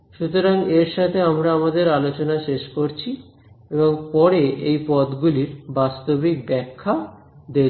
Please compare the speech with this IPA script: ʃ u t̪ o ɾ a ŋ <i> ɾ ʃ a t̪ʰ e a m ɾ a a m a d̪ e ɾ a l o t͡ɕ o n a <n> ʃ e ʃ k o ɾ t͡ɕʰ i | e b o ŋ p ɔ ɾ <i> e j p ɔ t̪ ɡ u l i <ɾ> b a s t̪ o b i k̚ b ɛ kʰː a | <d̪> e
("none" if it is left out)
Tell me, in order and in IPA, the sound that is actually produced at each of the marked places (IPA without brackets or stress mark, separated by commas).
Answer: e, none, e, ɾ, d̪